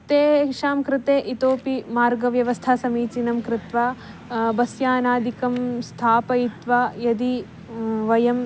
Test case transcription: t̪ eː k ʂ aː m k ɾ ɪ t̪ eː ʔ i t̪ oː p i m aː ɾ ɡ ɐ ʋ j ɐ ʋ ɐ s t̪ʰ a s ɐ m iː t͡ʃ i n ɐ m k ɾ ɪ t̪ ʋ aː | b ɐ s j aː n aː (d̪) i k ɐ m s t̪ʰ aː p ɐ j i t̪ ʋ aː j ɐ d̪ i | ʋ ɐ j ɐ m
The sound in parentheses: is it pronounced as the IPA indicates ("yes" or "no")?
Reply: yes